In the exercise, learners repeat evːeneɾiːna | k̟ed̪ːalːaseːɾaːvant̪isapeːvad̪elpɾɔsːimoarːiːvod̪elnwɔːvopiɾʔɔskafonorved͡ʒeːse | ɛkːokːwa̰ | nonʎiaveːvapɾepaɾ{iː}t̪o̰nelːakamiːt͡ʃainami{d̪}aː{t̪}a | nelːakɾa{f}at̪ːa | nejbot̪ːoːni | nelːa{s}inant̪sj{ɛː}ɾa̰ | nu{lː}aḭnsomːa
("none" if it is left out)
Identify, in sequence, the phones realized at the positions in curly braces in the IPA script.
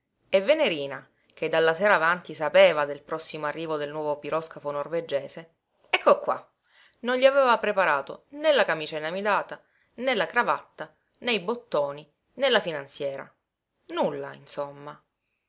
aː, d̪, t̪, v, f, ɛː, lː

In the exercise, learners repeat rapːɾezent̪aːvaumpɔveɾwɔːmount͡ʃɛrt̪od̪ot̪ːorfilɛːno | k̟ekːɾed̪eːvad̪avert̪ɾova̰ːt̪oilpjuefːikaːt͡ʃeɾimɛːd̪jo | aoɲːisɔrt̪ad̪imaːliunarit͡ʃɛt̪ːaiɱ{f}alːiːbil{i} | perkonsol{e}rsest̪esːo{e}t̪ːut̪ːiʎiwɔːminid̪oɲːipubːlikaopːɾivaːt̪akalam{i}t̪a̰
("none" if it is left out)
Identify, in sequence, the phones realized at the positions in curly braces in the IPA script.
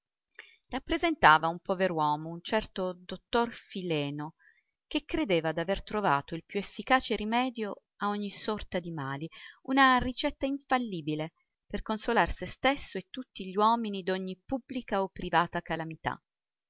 f, e, a, e, i

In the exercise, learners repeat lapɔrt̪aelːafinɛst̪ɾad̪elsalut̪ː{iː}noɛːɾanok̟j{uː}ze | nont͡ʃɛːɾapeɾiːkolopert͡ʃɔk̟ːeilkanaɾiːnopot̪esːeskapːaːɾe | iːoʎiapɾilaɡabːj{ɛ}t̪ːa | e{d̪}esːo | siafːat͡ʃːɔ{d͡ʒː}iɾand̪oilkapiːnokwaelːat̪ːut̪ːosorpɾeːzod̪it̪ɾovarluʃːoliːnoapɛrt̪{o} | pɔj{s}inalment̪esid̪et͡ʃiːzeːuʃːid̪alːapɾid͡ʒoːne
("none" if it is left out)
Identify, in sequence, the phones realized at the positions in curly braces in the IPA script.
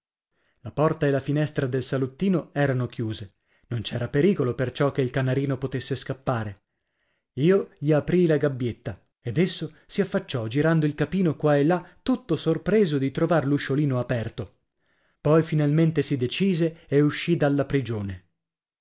iː, uː, e, d̪, d͡ʒ, o, f

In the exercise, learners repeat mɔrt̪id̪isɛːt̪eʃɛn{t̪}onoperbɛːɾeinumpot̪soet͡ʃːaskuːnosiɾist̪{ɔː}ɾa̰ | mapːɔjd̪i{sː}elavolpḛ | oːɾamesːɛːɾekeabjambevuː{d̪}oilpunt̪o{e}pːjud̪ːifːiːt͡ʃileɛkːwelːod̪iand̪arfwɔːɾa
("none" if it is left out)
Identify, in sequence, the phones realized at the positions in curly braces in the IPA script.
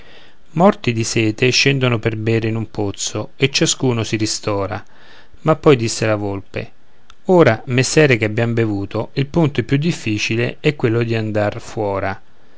d̪, ɔː, sː, t̪, ɛ

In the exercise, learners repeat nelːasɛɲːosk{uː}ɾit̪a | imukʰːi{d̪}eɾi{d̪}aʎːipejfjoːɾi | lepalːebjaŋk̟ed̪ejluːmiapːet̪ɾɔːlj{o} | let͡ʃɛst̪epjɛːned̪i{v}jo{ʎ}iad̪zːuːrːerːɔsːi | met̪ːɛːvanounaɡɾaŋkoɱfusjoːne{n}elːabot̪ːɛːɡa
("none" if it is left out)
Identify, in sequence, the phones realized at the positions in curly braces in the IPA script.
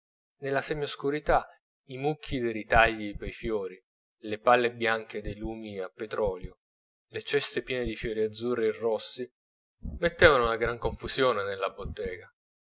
u, d̪, t̪, o, f, ɾ, n

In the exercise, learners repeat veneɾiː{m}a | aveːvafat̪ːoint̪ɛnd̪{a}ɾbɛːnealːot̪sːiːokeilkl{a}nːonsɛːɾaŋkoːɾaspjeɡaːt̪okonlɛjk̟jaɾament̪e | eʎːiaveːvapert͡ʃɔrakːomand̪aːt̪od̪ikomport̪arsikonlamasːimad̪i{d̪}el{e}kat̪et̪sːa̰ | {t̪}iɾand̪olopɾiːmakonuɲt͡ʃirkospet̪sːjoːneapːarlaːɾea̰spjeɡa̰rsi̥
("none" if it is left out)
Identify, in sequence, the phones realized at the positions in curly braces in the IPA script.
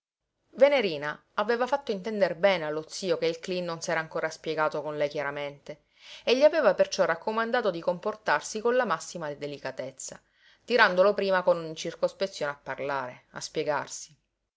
n, e, i, d̪, i, t̪

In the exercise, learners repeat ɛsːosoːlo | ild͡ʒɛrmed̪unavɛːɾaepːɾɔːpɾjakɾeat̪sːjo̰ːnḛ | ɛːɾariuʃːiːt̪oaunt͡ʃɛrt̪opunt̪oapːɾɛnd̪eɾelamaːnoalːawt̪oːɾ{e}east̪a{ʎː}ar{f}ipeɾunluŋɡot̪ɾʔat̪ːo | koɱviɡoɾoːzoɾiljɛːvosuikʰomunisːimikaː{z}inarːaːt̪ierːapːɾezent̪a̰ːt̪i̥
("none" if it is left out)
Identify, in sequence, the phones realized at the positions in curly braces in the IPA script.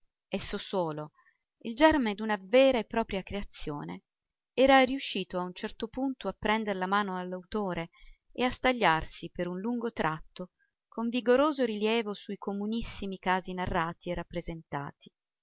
e, ʎː, s, z

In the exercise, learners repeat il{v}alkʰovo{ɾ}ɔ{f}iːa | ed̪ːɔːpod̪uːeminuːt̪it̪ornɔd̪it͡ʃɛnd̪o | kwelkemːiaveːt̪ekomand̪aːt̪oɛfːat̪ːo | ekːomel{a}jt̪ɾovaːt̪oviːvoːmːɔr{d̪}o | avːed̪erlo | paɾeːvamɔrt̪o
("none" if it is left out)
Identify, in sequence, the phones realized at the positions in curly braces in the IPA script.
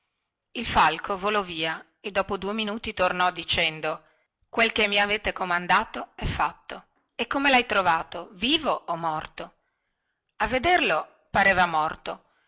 f, l, v, a, t̪

